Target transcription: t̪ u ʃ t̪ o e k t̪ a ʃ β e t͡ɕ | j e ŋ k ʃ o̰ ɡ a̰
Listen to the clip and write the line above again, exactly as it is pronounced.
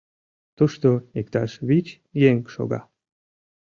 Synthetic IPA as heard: t̪ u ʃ t̪ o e k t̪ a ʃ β i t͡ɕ | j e ŋ k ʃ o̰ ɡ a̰